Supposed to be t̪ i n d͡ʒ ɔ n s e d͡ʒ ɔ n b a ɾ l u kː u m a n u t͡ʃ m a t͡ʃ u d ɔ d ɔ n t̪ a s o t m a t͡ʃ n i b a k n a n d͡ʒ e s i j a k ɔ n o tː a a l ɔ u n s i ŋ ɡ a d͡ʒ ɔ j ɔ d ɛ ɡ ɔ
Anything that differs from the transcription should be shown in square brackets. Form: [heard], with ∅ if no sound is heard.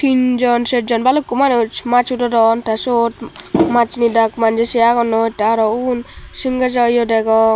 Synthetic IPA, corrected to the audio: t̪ i n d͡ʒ ɔ n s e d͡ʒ ɔ n b a [∅] l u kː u m a n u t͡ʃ m a t͡ʃ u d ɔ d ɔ n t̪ a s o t m a t͡ʃ n i [d] a k [m] a n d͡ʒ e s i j a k ɔ n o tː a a [ɾ] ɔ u n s i ŋ ɡ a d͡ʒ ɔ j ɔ d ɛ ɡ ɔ

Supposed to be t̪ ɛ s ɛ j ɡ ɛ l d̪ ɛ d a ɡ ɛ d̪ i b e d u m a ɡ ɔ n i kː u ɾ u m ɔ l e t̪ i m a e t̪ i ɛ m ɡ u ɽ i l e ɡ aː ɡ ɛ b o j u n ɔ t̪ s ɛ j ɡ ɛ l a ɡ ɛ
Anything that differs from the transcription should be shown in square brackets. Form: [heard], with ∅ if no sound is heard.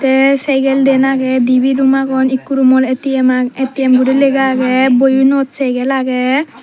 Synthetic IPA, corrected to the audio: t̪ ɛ s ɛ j ɡ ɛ l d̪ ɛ [n] a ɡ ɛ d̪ i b [i] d u m a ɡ ɔ n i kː u ɾ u m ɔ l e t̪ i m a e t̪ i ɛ m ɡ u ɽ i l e ɡ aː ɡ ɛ b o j u n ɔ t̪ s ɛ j ɡ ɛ l a ɡ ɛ

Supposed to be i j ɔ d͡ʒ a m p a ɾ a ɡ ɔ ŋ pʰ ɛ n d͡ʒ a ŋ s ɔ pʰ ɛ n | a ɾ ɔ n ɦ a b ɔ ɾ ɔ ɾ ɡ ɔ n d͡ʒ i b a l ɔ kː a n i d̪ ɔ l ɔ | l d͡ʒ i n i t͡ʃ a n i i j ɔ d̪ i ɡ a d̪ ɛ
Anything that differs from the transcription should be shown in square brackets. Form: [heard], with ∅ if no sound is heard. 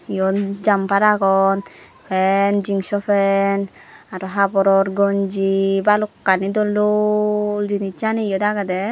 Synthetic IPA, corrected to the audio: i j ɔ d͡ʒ a m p a ɾ a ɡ ɔ [n] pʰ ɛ n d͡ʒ [i] ŋ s ɔ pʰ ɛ n | a ɾ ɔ [∅] ɦ a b ɔ ɾ ɔ ɾ ɡ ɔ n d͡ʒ i b a l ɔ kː a n i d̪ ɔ l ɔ | l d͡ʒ i n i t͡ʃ a n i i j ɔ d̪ [a] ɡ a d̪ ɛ

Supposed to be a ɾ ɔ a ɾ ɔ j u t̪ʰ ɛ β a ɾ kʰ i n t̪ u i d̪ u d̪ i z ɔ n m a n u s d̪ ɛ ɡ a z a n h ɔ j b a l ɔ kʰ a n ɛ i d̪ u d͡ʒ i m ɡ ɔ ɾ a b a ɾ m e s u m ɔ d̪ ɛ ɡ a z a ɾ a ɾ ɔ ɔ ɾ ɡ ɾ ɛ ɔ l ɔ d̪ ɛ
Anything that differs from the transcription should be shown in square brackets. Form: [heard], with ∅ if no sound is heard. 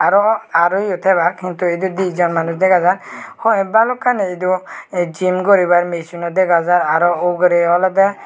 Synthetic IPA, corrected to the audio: a ɾ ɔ a ɾ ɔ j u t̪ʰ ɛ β a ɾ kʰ i n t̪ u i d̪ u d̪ i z ɔ n m a n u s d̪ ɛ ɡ a z a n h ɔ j b a l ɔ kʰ a n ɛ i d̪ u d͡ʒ i m ɡ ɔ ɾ [i] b a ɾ m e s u [n] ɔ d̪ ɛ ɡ a z a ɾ a ɾ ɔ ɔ [∅] ɡ ɾ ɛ ɔ l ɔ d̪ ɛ

